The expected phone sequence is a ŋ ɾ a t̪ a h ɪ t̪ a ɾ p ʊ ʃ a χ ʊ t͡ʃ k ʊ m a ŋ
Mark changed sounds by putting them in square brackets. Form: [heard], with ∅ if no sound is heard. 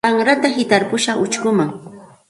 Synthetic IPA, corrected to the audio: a ŋ ɾ a t̪ a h ɪ t̪ a ɾ p ʊ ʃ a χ ʊ t͡ʃ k ʊ m a ŋ